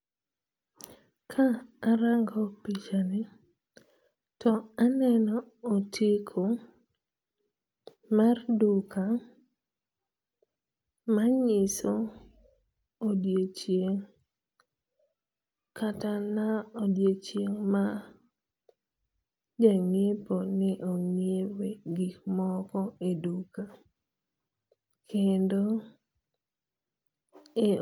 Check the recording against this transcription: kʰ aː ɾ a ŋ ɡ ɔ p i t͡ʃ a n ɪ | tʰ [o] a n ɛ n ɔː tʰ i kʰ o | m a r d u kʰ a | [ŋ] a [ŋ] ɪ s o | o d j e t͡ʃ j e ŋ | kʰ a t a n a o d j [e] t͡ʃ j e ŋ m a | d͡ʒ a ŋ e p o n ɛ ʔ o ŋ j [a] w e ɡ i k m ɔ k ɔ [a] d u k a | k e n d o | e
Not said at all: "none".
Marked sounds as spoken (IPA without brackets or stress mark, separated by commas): ɔ, m, ɲ, e, e, e